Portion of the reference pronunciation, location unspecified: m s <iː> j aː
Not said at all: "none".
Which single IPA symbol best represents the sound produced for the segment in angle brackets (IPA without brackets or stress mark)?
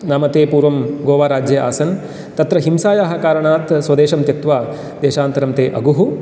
aː